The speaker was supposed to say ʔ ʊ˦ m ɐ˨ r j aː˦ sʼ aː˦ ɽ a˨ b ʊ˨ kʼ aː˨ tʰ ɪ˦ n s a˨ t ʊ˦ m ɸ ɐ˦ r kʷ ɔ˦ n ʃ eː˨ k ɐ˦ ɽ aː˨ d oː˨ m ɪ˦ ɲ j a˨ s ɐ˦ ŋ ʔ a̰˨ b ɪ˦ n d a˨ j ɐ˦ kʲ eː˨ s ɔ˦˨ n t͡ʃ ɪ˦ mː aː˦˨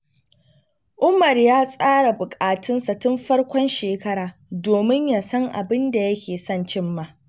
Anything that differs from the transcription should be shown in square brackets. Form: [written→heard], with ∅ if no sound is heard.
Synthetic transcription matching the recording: ʔ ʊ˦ m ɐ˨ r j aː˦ sʼ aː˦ ɽ a˨ b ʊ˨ kʼ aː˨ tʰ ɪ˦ n s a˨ t ʊ˦ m ɸ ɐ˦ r kʷ ɔ˦ n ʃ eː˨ k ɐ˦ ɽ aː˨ d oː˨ m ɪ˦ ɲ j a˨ s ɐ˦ ŋ ʔ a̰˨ b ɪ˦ n d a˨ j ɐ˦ kʲ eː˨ s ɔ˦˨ n t͡ʃ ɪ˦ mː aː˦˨